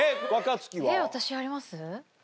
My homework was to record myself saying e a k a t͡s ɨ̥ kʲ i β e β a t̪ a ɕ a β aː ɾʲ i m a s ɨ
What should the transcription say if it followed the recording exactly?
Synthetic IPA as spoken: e a k a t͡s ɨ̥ kʲ i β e β a t̪ a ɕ i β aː ɾʲ i m a s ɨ